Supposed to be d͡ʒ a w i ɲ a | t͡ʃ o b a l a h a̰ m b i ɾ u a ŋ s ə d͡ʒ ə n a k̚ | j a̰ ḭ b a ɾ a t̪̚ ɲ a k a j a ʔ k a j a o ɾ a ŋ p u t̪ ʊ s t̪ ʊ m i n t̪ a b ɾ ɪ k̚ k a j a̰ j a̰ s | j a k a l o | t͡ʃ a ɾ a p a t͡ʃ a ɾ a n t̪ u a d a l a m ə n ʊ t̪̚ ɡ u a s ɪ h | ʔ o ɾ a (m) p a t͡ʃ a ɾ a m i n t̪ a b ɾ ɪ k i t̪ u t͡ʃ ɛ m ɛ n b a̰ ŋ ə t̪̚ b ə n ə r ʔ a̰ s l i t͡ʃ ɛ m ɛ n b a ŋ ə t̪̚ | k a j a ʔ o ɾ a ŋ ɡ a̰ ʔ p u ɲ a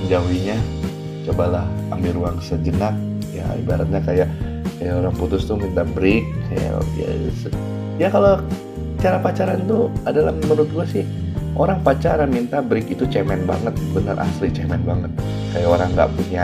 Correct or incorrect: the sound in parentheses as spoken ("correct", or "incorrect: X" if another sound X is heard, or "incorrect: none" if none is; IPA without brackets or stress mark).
incorrect: ŋ